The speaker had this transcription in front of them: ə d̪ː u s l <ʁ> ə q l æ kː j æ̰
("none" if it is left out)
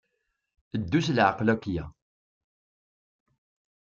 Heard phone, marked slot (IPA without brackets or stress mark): ʕ